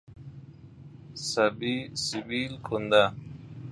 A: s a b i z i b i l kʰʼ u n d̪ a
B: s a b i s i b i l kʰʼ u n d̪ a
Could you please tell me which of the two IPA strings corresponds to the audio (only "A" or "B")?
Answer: B